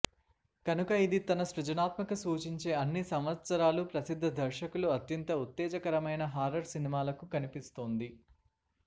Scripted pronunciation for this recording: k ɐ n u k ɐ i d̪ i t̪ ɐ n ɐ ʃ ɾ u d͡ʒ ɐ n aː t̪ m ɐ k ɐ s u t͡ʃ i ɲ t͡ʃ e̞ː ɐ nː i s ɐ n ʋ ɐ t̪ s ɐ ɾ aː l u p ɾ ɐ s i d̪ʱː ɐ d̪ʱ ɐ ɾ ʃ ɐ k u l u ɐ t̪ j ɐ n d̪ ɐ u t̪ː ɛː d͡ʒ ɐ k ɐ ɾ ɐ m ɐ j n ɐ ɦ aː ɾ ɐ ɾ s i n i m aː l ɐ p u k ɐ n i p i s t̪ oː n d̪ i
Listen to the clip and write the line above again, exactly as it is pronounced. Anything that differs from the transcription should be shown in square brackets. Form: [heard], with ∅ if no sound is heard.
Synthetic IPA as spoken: k ɐ n u k ɐ i d̪ i t̪ ɐ n ɐ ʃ ɾ u d͡ʒ ɐ n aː t̪ m ɐ k ɐ s [uː] t͡ʃ i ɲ t͡ʃ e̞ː ɐ nː i s ɐ [m] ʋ ɐ t̪ s ɐ ɾ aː l u p ɾ ɐ s i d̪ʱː ɐ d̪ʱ ɐ ɾ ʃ ɐ k u l u ɐ t̪ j ɐ n [t̪] ɐ u t̪ː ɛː d͡ʒ ɐ k ɐ ɾ ɐ m ɐ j n ɐ ɦ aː ɾ ɐ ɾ s i n i m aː l ɐ [k] u k ɐ n i p i s t̪ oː n d̪ i

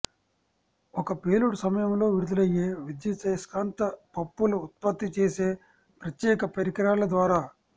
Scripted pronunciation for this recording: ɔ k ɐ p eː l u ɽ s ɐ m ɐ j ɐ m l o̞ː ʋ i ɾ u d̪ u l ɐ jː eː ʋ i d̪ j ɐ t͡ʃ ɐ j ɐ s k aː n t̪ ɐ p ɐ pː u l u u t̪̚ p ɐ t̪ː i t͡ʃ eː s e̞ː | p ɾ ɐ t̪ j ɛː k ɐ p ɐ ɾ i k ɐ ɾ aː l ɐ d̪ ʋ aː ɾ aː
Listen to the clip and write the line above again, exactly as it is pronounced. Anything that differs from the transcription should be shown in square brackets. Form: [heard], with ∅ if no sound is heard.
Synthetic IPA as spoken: ɔ k ɐ p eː l u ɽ s ɐ m ɐ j ɐ m l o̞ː ʋ i ɾ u d̪ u l ɐ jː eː ʋ i d̪ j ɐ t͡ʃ ɐ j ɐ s k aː n t̪ ɐ p ɐ pː u l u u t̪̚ p ɐ t̪ː i t͡ʃ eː s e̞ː | p ɾ ɐ t̪ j ɛː k ɐ p ɐ ɾ i k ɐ ɾ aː l ɐ d̪ ʋ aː ɾ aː

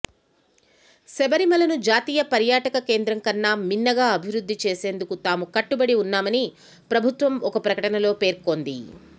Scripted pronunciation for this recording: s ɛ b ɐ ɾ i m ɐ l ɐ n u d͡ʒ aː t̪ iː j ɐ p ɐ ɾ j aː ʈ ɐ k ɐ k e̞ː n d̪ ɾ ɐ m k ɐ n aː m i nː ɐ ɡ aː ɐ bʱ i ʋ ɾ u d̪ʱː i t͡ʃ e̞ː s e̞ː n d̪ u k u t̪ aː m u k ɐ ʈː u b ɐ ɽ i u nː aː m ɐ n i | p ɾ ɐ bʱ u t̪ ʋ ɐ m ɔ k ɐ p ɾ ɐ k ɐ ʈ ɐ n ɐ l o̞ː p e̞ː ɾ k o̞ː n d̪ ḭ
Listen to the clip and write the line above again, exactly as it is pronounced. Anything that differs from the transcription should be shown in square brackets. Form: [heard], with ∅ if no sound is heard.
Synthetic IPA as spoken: s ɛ b ɐ ɾ i m ɐ l ɐ n u d͡ʒ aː t̪ iː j ɐ p ɐ ɾ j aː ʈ ɐ k ɐ k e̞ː n d̪ ɾ ɐ [ŋ] k ɐ [nː] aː m i nː ɐ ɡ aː ɐ bʱ i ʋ ɾ u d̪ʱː i t͡ʃ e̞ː s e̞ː n d̪ u k u t̪ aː m u k ɐ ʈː u b ɐ ɽ i u nː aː m ɐ n i | p ɾ ɐ bʱ u t̪ ʋ ɐ m ɔ k ɐ p ɾ ɐ k ɐ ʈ ɐ n ɐ l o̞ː p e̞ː ɾ k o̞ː n d̪ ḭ

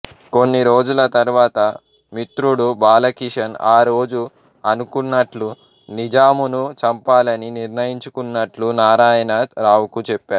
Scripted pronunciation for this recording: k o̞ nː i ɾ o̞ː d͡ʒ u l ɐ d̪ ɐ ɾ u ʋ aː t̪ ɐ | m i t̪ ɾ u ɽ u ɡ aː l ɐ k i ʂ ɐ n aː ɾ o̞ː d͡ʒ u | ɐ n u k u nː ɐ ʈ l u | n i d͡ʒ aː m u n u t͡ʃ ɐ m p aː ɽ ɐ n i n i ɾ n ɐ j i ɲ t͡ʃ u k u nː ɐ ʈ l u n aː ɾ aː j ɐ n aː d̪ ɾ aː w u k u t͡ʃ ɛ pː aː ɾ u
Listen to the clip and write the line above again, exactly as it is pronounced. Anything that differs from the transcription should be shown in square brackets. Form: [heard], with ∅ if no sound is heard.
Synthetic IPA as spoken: k o̞ nː i ɾ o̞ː d͡ʒ u l ɐ [t̪] ɐ ɾ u ʋ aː t̪ ɐ | m i t̪ ɾ u ɽ u [b] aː l ɐ k i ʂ ɐ n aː ɾ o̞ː d͡ʒ u | ɐ n u k u nː ɐ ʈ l u | n i d͡ʒ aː m u n u t͡ʃ ɐ m p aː [l] ɐ n i n i ɾ n ɐ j i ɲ t͡ʃ u k u nː ɐ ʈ l u n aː ɾ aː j ɐ n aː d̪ ɾ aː w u k u t͡ʃ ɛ pː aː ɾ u

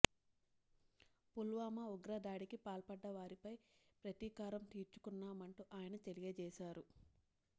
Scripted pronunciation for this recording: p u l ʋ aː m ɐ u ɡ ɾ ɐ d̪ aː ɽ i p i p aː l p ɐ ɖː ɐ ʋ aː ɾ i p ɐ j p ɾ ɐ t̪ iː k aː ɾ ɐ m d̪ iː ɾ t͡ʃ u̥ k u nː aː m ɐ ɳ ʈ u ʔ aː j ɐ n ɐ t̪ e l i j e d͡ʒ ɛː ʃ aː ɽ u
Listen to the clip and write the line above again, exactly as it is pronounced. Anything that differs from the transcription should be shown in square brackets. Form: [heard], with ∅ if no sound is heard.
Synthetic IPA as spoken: p u l ʋ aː m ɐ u ɡ ɾ ɐ d̪ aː ɽ i [k] i p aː l p ɐ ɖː ɐ ʋ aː ɾ i p ɐ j p ɾ ɐ t̪ iː k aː ɾ ɐ m [t̪] iː ɾ t͡ʃ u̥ k u nː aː m ɐ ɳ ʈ u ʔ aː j ɐ n ɐ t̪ e l i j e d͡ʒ ɛː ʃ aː [ɾ] u

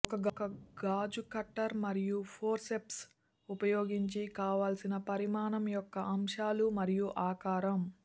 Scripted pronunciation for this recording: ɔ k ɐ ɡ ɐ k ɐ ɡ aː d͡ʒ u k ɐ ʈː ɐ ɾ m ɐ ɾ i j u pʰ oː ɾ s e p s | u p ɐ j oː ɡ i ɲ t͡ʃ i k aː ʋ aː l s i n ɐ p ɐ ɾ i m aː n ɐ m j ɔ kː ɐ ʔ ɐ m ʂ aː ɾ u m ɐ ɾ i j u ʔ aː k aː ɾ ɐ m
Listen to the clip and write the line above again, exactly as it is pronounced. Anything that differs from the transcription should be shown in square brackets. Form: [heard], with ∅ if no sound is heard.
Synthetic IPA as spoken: ɔ k ɐ ɡ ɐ k ɐ ɡ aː d͡ʒ u k ɐ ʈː ɐ ɾ m ɐ ɾ i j u pʰ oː ɾ s e p s | u p ɐ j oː ɡ i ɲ t͡ʃ i k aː ʋ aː l s i n ɐ p ɐ ɾ i m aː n ɐ m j ɔ kː ɐ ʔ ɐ m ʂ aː [l] u m ɐ ɾ i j u ʔ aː k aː ɾ ɐ m

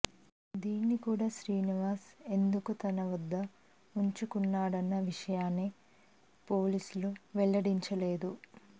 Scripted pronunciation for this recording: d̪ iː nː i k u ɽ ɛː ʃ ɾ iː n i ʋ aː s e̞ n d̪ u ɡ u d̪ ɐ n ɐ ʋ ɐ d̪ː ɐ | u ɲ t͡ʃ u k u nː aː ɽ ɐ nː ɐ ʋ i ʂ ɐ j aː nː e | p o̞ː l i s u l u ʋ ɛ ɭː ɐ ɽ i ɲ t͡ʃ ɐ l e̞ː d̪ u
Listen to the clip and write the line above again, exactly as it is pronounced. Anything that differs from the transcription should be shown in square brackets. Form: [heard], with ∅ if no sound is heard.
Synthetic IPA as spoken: d̪ iː nː i k [uː] ɽ [aː] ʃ ɾ iː n i ʋ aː s e̞ n d̪ u [k] u [t̪] ɐ n ɐ ʋ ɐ d̪ː ɐ | u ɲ t͡ʃ u k u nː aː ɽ ɐ nː ɐ ʋ i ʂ ɐ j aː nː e | p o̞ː l i s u l u ʋ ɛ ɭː ɐ ɽ i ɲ t͡ʃ ɐ l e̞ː d̪ u

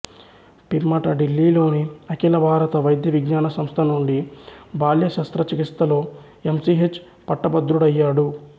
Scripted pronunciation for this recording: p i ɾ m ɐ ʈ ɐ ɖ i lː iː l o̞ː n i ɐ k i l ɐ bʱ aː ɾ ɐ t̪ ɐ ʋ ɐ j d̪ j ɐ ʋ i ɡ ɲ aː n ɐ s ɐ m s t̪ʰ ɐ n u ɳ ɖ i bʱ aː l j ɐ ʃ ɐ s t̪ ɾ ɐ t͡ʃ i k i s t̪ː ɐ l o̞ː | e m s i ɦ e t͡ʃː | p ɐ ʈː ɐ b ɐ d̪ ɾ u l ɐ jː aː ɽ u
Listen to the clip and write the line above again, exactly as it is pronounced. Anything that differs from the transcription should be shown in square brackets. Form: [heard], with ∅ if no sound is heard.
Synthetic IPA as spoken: p i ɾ m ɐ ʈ ɐ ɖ i lː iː l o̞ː n i ɐ k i l ɐ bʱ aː ɾ ɐ t̪ ɐ ʋ ɐ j d̪ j ɐ ʋ i ɡ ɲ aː n ɐ s ɐ m s t̪ʰ ɐ n u ɳ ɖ i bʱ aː l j ɐ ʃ ɐ s t̪ ɾ ɐ t͡ʃ i k i s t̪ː ɐ l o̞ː | e m s i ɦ e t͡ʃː | p ɐ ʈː ɐ b ɐ d̪ ɾ u [ɽ] ɐ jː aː ɽ u

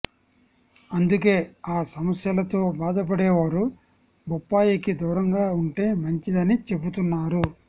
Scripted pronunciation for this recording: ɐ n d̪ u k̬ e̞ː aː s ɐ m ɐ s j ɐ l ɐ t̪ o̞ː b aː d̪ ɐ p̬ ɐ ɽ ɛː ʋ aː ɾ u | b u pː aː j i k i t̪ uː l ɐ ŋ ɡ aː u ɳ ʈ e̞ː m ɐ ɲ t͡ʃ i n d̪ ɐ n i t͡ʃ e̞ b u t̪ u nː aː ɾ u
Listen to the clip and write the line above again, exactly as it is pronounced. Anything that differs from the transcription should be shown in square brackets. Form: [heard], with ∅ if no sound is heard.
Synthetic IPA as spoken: ɐ n d̪ u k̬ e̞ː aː s ɐ m ɐ s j ɐ l ɐ t̪ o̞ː b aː d̪ ɐ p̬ ɐ ɽ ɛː ʋ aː ɾ u | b u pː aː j i k i [d̪] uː [ɾ] ɐ ŋ ɡ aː u ɳ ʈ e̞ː m ɐ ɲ t͡ʃ i [∅] d̪ ɐ n i t͡ʃ e̞ b u t̪ u nː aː ɾ u

